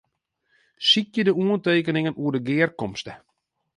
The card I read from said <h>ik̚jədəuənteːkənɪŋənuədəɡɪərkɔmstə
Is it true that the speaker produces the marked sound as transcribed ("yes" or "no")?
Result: no